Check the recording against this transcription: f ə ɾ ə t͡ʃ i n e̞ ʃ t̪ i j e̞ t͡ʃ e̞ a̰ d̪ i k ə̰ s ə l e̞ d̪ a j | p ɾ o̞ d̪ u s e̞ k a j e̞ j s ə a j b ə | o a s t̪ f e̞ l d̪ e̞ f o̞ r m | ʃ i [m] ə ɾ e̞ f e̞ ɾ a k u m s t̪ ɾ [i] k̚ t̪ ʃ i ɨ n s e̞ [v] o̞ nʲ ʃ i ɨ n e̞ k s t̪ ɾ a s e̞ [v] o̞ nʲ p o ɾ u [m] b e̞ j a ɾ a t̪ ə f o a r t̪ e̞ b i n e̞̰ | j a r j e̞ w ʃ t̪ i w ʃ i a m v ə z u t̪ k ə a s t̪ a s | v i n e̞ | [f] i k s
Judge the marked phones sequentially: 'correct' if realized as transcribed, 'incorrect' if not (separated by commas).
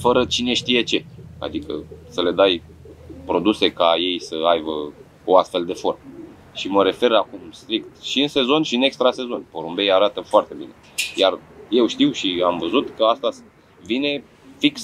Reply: correct, correct, incorrect, incorrect, correct, correct